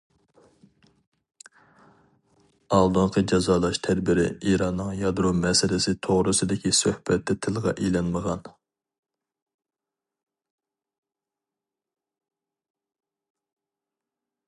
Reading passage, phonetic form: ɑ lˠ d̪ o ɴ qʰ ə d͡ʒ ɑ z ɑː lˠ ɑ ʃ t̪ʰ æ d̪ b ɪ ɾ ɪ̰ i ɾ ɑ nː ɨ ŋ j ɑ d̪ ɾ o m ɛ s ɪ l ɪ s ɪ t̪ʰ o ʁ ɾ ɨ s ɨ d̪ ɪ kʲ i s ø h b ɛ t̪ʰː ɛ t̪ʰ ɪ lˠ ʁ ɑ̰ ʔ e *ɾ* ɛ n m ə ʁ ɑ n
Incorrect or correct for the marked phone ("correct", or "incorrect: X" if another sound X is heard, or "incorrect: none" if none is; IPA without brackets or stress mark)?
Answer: incorrect: l